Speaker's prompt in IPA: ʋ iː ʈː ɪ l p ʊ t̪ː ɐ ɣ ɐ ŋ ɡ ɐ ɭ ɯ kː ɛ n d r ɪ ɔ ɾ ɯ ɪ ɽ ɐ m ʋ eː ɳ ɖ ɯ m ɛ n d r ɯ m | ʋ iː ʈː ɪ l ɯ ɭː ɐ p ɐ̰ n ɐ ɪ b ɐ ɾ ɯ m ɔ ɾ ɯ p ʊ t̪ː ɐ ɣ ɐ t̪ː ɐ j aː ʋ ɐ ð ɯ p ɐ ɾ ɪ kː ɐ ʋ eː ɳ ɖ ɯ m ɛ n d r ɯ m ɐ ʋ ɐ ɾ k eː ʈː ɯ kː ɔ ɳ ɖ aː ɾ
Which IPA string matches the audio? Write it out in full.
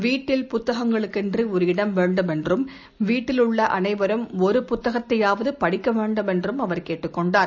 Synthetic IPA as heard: ʋ iː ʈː ɪ l p ʊ t̪ː ɐ ɣ ɐ ŋ ɡ ɐ ɭ ɯ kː ɛ n d r i ɔ ɾ ɯ ɪ ɽ ɐ m ʋ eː ɳ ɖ ɯ m ɛ n d r ɯ m | ʋ iː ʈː ɪ l ɯ ɭː ɐ ʔ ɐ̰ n ɐ ɪ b ɐ ɾ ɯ m ɔ ɾ ɯ p ʊ t̪ː ɐ ɣ ɐ t̪ː ɐ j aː ʋ ɐ ð ɯ p ɐ ɽ ɪ kː ɐ ʋ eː ɳ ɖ ɯ m ɛ n d r ɯ m ɐ ʋ ɐ ɾ k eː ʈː ɯ kː ɔ ɳ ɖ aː ɾ